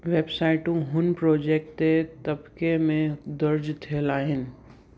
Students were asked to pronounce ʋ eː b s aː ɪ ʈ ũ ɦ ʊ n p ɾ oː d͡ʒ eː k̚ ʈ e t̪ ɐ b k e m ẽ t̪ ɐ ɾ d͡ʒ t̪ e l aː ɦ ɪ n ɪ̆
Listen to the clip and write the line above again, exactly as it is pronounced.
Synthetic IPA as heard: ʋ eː b s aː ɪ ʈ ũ ɦ ʊ n p ɾ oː d͡ʒ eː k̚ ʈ e t̪ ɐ b k e m ẽ d̪ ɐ ɾ d͡ʒ t̪ʰ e l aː ɦ ɪ n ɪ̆